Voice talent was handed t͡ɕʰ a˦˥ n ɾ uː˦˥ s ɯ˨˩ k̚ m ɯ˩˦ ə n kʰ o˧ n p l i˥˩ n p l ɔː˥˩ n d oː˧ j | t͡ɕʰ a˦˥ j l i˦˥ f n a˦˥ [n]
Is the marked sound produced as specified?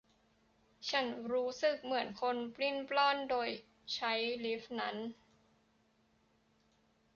yes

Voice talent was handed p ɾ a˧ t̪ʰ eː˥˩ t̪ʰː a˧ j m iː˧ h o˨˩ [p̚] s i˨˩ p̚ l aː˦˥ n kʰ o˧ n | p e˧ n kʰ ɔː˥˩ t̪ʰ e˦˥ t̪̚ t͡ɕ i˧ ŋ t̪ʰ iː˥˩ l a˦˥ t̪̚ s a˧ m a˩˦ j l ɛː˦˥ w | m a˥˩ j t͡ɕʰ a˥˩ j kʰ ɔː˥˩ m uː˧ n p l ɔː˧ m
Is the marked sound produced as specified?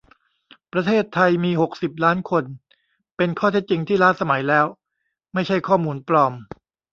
no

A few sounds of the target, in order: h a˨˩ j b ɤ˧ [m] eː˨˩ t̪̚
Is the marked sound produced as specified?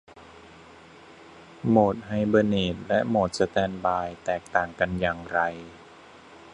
no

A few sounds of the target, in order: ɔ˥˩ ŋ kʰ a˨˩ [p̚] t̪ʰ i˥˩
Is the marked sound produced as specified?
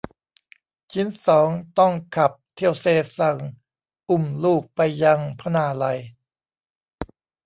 yes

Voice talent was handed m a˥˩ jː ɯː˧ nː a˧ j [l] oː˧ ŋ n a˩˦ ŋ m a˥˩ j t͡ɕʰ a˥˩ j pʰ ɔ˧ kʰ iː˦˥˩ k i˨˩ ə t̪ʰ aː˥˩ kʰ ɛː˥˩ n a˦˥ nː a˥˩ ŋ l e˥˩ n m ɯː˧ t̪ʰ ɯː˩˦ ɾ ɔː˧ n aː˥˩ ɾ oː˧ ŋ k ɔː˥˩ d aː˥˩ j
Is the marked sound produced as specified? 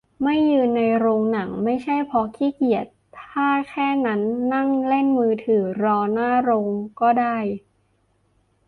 no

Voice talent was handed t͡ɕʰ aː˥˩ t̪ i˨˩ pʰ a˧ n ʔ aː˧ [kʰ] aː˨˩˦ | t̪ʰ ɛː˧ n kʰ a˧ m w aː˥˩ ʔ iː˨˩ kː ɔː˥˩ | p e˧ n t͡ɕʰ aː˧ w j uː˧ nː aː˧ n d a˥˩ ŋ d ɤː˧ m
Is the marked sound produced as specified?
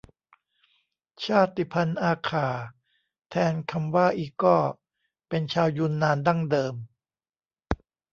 yes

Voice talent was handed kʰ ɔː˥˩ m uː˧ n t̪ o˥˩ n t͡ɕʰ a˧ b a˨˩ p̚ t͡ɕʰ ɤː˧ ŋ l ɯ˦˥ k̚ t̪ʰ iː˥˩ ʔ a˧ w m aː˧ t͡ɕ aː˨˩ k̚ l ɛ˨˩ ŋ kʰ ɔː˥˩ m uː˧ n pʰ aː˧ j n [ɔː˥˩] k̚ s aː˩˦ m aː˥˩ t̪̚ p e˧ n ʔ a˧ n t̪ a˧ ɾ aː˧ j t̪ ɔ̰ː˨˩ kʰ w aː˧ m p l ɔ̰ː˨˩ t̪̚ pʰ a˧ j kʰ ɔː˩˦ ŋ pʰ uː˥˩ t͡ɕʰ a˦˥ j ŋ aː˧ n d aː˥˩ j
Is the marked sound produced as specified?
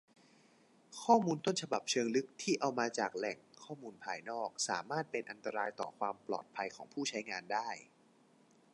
yes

